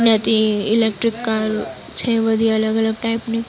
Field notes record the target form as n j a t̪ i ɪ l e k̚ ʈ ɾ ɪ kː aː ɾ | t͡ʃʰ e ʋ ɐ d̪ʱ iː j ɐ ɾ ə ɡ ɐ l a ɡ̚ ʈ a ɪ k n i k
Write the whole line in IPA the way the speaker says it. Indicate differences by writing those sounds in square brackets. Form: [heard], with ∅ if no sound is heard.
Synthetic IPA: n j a t̪ i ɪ l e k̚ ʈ ɾ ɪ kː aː ɾ | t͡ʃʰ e ʋ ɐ d̪ʱ [i] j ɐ [l] ə ɡ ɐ l [ə] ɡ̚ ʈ a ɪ [p] n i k

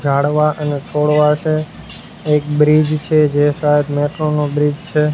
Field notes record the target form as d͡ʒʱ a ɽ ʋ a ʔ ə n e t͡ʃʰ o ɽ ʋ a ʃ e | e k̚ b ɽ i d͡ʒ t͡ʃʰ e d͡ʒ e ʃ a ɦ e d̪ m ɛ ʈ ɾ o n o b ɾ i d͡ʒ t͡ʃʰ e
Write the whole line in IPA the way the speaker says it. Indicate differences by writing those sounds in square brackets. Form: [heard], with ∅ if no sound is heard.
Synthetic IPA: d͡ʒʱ a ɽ ʋ a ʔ ə n e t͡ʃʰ o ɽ ʋ a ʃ e | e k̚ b [ɾ] i d͡ʒ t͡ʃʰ e d͡ʒ e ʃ a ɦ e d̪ m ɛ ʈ ɾ o n o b ɾ i d͡ʒ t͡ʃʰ e

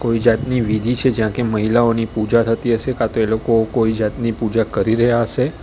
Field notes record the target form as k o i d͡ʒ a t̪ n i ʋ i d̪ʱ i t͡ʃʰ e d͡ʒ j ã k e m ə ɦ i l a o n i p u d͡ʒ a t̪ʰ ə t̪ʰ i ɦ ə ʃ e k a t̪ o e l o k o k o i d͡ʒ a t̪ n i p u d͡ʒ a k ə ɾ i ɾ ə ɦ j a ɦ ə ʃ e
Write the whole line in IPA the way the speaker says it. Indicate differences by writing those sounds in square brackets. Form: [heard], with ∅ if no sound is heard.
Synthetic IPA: k o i d͡ʒ a t̪ n i ʋ i d̪ʱ i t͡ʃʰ e d͡ʒ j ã k e m ə ɦ i l a o n i p u d͡ʒ a t̪ʰ ə [t̪] i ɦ ə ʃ e k a t̪ o e l o k o k o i d͡ʒ a t̪ n i p u d͡ʒ a k ə ɾ i ɾ ə ɦ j a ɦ ə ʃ e

